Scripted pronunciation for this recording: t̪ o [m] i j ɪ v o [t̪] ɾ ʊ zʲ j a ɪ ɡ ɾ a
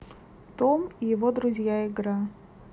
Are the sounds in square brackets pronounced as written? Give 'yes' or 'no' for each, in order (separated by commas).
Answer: yes, no